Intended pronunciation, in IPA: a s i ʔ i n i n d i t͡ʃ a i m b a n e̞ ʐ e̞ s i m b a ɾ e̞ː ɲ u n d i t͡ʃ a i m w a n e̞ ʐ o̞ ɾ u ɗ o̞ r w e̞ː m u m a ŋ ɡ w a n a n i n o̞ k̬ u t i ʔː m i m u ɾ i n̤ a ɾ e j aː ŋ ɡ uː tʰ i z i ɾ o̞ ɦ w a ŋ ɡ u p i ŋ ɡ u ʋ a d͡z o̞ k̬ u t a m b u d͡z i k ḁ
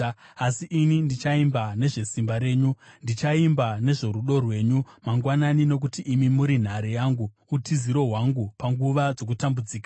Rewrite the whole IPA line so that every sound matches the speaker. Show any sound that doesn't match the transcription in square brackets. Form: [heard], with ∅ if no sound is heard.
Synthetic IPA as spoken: a s i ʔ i n i n d i t͡ʃ a i m b a n e̞ ʐ e̞ s i m b a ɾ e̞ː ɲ u n d i t͡ʃ a i m [b] a n e̞ ʐ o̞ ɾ u ɗ o̞ r w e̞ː [ɲ] u m a ŋ ɡ w a n a n i n o̞ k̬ u t i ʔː m i m u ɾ i n̤ a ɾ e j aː ŋ ɡ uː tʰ i z i ɾ o̞ ɦ w a ŋ ɡ u p [a] ŋ ɡ u ʋ a d͡z o̞ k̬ u t a m b u d͡z [iː] k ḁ